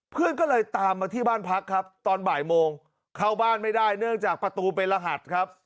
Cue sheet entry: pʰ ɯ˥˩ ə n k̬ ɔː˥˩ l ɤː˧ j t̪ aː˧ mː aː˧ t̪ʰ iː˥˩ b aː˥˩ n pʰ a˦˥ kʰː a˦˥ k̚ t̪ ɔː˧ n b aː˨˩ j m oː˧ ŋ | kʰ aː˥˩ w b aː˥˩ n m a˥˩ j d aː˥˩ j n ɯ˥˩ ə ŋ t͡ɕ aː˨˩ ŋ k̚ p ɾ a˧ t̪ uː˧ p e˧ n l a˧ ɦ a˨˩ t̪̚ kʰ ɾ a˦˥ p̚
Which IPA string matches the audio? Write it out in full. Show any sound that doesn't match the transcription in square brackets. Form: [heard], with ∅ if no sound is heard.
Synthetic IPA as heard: pʰ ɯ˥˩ ə n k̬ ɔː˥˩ l ɤː˧ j t̪ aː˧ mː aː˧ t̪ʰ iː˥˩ b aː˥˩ n pʰ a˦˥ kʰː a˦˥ [p̚] t̪ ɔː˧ n b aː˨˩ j m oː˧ ŋ | kʰ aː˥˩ w b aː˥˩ n m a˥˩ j d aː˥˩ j n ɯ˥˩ ə ŋ t͡ɕ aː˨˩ [∅] k̚ p ɾ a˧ t̪ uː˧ p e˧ n l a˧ ɦ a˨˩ t̪̚ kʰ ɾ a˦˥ p̚